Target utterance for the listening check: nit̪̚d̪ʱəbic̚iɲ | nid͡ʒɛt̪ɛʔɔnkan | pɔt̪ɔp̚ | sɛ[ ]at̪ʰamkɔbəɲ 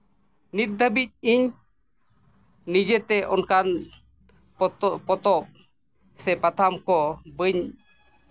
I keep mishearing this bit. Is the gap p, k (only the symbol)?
p